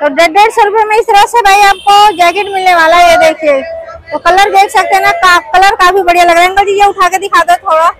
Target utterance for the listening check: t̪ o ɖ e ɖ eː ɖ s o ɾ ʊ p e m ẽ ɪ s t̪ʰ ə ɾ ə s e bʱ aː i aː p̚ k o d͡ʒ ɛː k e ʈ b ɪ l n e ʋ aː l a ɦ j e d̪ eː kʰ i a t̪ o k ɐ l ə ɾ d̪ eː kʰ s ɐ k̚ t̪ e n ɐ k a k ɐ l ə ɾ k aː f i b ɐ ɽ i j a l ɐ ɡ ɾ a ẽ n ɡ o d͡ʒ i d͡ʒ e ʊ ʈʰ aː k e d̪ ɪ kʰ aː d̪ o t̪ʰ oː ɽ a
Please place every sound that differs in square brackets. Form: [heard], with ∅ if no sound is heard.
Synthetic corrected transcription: t̪ o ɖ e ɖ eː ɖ s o ɾ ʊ p e m ẽ ɪ s [t̪] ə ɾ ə s e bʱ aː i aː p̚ k o d͡ʒ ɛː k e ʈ [m] ɪ l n e ʋ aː l a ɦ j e d̪ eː kʰ i [e] t̪ o k ɐ l ə ɾ d̪ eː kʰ s ɐ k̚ t̪ e n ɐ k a k ɐ l ə ɾ k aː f i b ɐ ɽ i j a l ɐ ɡ ɾ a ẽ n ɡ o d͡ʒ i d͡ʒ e ʊ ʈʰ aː k e d̪ ɪ kʰ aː d̪ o t̪ʰ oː ɽ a